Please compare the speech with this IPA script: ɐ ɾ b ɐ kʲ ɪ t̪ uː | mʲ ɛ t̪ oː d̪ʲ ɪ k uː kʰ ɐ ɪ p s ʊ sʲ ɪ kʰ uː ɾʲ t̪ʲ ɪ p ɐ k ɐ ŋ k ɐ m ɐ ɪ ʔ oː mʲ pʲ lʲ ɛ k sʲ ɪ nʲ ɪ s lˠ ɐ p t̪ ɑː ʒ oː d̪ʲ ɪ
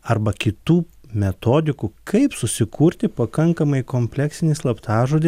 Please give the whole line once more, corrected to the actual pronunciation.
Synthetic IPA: ɐ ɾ b ɐ kʲ ɪ t̪ uː | mʲ ɛ t̪ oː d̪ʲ ɪ k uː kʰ ɐ ɪ p s ʊ sʲ ɪ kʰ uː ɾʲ t̪ʲ ɪ p ɐ k ɐ ŋ k ɐ m ɐ ɪ k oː mʲ pʲ lʲ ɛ k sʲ ɪ nʲ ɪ s lˠ ɐ p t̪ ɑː ʒ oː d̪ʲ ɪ